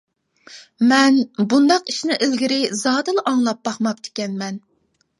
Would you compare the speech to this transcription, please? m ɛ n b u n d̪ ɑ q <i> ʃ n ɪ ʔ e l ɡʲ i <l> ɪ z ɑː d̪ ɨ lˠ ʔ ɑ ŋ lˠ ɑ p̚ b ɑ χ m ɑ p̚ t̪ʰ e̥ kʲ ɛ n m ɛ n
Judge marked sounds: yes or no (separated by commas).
yes, no